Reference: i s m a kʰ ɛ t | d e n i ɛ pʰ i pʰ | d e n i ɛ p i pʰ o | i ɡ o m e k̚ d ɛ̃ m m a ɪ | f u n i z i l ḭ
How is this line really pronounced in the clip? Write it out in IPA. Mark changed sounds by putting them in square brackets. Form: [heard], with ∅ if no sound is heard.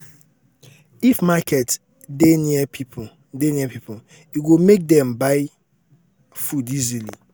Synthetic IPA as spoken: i [f] m a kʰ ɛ t | d e n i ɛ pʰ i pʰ | d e n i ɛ p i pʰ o | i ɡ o m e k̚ d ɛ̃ m [b] a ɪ | f u [d] i z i l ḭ